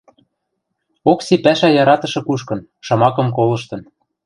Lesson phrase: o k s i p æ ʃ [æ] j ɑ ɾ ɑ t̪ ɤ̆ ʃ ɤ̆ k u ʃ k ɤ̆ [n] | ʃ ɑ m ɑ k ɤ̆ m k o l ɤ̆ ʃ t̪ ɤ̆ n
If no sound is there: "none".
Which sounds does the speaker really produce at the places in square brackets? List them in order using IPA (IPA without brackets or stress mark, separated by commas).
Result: æ, n